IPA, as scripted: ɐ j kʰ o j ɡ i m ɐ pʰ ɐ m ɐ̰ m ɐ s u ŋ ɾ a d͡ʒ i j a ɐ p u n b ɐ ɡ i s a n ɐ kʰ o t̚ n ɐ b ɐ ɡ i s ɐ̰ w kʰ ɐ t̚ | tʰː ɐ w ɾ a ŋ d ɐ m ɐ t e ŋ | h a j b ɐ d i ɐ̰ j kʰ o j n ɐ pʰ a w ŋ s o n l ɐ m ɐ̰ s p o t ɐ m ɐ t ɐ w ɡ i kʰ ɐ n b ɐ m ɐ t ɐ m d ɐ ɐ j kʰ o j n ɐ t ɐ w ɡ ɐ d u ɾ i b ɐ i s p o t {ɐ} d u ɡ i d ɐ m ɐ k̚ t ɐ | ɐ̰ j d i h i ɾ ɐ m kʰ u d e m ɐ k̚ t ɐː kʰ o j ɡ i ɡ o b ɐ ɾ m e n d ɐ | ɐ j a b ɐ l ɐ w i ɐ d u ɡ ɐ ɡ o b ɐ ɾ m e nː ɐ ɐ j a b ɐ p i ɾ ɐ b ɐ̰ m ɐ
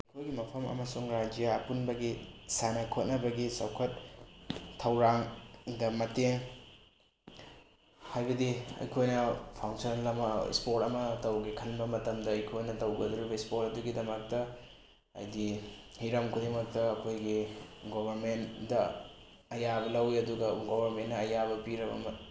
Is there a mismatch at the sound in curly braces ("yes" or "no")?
no